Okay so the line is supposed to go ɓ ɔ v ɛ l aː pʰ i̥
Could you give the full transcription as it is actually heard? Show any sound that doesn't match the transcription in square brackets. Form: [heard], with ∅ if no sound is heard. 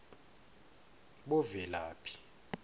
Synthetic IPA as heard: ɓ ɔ v ɛ l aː pʰ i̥